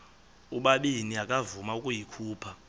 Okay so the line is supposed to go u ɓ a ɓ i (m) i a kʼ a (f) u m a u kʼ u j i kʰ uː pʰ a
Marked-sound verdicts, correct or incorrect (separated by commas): incorrect, incorrect